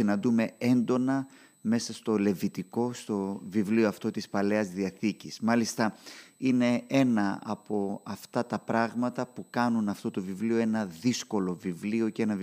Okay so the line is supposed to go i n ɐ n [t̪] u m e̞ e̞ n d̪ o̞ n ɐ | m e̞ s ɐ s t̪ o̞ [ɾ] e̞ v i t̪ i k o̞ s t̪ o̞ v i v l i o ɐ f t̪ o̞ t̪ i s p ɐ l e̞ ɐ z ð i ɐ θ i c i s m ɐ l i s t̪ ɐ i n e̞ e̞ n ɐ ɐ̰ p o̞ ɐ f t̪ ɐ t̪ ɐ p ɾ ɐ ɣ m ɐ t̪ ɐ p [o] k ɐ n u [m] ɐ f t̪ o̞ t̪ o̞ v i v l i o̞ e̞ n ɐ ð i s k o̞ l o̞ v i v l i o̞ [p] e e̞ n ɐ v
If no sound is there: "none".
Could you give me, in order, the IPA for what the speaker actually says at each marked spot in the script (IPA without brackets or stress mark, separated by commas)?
d̪, l, u, n, c